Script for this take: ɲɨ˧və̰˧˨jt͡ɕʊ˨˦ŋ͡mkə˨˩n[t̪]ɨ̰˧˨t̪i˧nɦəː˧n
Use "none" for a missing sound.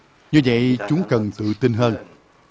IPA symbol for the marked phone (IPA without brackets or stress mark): t̪